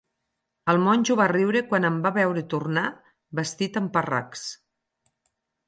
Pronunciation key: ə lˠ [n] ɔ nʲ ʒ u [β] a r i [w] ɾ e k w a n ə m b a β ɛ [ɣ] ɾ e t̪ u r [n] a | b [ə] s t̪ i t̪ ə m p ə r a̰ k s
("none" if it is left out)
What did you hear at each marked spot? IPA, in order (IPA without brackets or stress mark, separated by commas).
m, β, w, w, n, ə